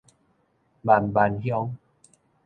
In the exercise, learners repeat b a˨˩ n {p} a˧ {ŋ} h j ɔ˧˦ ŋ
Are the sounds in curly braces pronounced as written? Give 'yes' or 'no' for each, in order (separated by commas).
no, no